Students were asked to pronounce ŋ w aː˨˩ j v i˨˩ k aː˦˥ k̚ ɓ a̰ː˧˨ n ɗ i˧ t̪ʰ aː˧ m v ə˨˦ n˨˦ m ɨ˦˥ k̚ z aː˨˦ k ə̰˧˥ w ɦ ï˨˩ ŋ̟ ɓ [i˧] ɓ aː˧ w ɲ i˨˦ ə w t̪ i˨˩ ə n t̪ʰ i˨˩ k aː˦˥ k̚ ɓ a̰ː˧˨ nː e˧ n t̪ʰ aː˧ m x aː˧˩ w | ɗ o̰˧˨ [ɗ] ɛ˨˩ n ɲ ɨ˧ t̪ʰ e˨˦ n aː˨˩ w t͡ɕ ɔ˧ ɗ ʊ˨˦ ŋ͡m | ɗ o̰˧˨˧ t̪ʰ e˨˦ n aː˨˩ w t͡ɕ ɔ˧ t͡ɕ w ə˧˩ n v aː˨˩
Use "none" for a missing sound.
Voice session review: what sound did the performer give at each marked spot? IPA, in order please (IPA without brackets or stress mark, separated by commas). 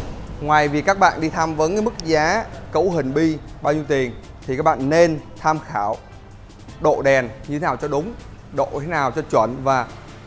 i˧, ɗ